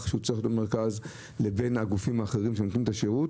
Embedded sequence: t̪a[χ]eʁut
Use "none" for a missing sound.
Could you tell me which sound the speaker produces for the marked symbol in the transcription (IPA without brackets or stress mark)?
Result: ʃ